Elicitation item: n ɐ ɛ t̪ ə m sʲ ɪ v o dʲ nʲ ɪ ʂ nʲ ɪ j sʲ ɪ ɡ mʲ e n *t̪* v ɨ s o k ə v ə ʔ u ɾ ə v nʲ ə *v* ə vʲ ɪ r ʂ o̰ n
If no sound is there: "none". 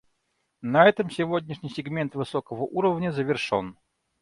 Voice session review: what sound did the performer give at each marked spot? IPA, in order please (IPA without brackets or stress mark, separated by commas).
t̪, z